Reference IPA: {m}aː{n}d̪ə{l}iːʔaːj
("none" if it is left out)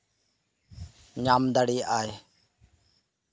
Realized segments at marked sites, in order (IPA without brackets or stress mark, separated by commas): ɲ, m, ɽ